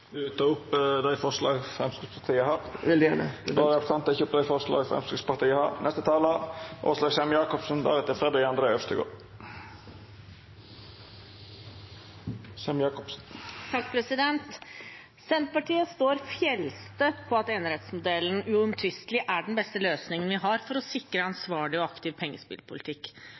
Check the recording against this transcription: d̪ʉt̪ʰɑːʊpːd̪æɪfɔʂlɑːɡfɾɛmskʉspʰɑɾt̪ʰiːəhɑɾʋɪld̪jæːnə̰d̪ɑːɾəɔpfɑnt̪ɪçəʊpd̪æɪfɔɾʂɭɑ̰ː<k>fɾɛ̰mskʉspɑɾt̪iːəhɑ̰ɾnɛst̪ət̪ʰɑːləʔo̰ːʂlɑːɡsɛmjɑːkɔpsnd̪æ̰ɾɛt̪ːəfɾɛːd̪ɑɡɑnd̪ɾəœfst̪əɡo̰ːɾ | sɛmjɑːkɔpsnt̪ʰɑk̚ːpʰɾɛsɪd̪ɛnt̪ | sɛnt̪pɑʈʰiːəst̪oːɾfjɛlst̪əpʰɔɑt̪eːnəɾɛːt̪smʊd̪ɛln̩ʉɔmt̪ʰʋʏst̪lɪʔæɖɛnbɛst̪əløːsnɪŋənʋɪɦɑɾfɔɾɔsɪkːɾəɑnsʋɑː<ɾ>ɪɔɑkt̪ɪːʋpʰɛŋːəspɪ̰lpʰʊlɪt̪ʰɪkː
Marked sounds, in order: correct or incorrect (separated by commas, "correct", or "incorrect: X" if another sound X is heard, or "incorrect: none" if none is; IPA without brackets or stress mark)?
incorrect: ɡ, incorrect: ɭ